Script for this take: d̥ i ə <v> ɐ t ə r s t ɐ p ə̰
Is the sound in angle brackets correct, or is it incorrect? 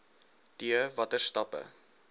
correct